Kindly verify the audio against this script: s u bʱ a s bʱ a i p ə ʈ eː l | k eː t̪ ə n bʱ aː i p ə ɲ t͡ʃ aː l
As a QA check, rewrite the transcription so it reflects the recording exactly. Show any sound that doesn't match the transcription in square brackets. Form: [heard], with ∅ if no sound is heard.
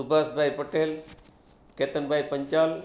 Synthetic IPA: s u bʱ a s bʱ a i p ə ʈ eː l | k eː t̪ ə n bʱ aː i p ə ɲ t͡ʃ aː l